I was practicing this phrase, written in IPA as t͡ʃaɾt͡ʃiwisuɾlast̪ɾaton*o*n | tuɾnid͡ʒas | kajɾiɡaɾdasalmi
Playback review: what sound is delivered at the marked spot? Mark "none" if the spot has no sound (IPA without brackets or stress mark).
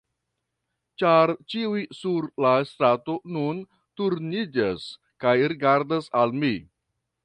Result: u